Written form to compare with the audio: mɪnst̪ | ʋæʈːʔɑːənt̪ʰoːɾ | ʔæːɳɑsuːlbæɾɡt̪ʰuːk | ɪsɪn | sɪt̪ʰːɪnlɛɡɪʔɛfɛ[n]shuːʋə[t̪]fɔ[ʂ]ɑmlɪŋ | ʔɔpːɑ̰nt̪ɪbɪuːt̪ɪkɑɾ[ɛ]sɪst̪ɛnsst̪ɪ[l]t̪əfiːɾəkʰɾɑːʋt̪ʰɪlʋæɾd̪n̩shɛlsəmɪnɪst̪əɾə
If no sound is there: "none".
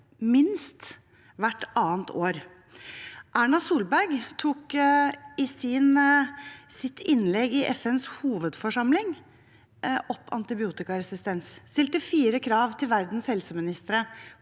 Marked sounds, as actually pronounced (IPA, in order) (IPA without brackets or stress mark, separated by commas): n, d̪, ʂ, ɛ, l